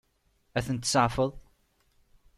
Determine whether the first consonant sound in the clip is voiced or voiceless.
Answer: voiceless